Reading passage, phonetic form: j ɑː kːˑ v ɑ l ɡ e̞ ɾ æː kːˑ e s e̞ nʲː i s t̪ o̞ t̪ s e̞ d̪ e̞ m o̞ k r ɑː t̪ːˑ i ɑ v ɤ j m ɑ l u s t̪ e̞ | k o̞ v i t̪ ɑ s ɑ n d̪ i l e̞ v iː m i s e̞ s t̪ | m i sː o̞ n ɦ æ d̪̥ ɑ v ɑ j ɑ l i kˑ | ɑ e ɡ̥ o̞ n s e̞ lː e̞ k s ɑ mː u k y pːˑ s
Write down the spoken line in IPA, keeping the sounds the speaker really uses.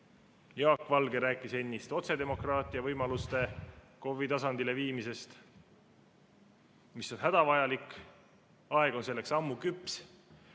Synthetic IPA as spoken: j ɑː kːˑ v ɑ l ɡ e̞ ɾ æː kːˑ i s e̞ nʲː i s t̪ o̞ t̪ s e̞ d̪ e̞ m o̞ k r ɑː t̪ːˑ i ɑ v ɤ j m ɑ l u s t̪ e̞ | k o̞ v i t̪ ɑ s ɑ n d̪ i l e̞ v iː m i s e̞ s t̪ | m i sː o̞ n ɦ æ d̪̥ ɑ v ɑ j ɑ l i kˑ | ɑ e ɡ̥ o̞ n s e̞ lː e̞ k s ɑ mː u k y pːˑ s